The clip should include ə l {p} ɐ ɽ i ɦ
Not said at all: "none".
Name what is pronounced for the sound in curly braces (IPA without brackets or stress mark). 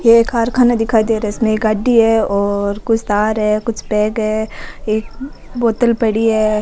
p